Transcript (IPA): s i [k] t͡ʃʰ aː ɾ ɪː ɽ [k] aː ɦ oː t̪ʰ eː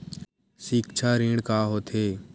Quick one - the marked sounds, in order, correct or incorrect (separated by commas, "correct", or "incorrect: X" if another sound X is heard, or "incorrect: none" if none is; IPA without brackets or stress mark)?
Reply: correct, correct